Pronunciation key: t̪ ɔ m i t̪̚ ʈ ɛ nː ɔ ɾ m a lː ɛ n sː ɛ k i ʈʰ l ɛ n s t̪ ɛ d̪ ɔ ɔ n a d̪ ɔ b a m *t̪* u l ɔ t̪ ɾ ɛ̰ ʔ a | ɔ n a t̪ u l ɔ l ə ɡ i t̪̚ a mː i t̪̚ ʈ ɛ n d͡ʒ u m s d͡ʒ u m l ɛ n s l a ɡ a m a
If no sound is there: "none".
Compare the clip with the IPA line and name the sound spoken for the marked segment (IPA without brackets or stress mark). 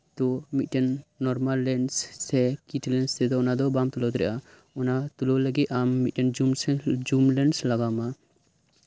t̪